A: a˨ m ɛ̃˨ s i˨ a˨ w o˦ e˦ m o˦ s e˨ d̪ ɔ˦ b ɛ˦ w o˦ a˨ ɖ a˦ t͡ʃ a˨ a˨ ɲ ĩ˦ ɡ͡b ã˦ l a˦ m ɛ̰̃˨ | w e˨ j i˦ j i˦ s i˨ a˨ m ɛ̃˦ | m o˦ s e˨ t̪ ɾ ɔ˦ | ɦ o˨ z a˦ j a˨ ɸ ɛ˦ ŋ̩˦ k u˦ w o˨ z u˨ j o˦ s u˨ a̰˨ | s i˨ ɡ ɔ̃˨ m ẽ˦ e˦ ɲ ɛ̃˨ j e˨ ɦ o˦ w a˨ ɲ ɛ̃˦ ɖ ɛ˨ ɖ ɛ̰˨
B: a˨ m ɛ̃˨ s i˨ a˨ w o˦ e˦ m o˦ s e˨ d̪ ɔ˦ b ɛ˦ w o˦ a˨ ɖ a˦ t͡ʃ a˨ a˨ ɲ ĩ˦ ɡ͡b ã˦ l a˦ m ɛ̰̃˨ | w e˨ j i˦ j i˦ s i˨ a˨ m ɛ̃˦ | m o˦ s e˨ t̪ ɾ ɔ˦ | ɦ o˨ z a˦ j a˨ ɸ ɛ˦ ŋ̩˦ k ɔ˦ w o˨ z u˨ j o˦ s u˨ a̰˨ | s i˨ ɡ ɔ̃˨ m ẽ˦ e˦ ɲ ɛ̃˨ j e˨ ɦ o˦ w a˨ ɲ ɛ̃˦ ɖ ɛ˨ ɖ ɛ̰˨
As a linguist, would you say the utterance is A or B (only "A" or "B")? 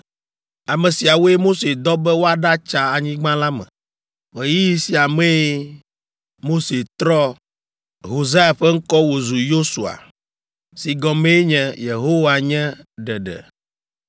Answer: B